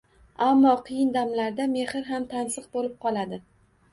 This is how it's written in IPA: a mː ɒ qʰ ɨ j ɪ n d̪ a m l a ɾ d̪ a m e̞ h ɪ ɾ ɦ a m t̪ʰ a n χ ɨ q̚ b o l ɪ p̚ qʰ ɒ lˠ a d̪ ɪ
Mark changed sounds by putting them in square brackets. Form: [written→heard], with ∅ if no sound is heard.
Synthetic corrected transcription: a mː ɒ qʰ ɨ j ɪ n d̪ a m l a ɾ d̪ a m e̞ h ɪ ɾ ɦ a m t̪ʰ a n [χ→s] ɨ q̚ b o l ɪ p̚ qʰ ɒ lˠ a d̪ ɪ